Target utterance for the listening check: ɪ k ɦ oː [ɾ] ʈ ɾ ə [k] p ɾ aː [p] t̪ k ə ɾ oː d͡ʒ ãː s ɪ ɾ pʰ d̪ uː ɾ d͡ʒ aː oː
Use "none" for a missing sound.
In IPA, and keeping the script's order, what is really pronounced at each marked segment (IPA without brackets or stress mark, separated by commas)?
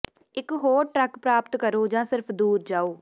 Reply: ɾ, k, p